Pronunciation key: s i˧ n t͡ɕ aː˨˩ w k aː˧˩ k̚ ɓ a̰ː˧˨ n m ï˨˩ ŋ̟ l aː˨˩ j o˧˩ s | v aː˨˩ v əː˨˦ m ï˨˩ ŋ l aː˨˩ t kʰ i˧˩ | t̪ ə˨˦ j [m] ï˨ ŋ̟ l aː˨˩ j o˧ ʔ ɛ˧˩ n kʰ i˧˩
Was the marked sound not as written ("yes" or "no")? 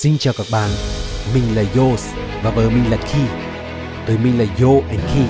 no